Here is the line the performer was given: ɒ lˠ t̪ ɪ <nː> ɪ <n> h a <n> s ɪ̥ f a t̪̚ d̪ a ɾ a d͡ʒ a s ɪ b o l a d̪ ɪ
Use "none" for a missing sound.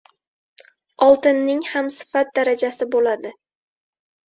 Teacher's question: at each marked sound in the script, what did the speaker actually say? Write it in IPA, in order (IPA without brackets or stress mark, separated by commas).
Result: nː, ŋ, m